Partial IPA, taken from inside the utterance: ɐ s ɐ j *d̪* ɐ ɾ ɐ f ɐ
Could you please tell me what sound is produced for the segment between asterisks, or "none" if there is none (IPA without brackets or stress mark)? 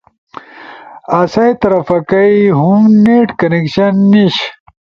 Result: t̪